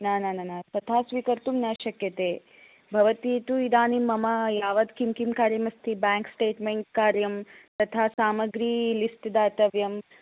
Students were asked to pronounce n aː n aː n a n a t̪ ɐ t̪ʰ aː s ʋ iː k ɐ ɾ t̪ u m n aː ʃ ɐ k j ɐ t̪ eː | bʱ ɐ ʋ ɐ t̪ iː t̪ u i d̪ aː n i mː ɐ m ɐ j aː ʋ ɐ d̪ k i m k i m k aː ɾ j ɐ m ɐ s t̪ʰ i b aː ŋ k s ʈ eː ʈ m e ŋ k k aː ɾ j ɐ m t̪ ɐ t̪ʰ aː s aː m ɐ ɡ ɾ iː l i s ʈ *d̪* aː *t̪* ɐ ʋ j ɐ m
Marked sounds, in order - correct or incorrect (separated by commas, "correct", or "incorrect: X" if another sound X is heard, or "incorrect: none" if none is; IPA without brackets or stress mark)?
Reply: correct, correct